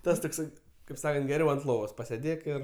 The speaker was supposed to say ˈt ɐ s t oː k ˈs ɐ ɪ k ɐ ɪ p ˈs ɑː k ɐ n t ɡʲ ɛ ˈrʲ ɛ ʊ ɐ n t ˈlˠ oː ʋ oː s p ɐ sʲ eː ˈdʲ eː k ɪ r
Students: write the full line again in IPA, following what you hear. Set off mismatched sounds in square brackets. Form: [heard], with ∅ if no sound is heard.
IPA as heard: ˈt ɐ s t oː k ˈs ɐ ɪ k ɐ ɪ p ˈs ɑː k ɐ n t ɡʲ ɛ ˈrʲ ɛ ʊ ɐ n t ˈlˠ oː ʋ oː s p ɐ sʲ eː ˈdʲ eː k ɪ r